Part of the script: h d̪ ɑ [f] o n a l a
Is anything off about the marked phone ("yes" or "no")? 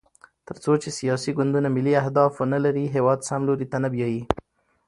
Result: no